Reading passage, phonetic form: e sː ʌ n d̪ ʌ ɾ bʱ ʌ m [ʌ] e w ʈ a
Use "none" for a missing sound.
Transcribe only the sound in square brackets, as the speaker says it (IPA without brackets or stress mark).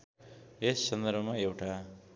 a